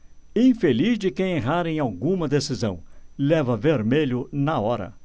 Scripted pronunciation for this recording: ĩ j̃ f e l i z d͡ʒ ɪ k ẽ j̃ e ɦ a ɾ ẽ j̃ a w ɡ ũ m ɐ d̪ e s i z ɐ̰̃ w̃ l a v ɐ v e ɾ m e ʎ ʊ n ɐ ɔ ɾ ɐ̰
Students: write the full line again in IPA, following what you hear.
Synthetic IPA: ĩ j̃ f e l i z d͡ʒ ɪ k ẽ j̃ e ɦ a ɾ ẽ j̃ a w ɡ ũ m ɐ d̪ e s i z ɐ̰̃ w̃ l ɛ v ɐ v e ɾ m e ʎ ʊ n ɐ ɔ ɾ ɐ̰